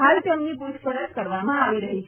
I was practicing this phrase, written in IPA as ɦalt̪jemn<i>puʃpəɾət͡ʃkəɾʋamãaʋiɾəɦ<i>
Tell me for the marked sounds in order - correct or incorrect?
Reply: correct, correct

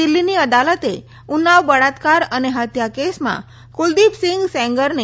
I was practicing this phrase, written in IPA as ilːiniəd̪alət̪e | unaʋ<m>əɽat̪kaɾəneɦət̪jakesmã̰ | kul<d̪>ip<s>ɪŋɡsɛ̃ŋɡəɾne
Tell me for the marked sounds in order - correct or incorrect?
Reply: incorrect, correct, correct

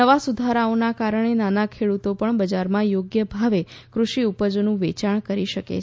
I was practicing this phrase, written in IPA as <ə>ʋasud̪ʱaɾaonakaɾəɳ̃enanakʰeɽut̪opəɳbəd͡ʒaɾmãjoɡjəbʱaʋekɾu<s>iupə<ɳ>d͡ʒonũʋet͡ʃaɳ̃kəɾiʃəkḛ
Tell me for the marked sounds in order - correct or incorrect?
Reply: correct, incorrect, incorrect

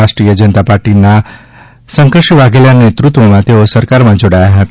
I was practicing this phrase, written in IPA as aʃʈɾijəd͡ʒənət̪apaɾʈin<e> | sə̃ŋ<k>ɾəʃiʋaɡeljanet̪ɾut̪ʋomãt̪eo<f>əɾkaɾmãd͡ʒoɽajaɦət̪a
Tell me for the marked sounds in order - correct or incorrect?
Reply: incorrect, correct, incorrect

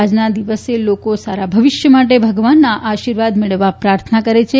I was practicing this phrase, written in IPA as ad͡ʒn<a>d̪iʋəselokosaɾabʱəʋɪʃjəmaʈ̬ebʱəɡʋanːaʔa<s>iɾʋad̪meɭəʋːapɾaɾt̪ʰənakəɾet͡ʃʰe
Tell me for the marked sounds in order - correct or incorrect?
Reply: correct, incorrect

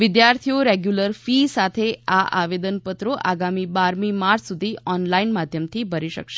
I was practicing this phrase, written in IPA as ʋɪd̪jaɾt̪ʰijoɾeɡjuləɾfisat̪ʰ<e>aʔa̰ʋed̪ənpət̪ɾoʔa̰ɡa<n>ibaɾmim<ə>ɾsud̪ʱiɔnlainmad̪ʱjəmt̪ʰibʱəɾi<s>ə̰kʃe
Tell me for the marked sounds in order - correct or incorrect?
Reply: correct, incorrect, incorrect, incorrect

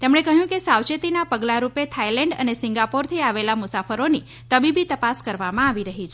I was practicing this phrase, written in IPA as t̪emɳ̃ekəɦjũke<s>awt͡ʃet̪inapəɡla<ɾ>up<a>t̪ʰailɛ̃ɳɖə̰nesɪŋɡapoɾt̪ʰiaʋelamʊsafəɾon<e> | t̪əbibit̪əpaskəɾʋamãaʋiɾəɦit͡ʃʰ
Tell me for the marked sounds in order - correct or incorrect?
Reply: correct, correct, incorrect, incorrect

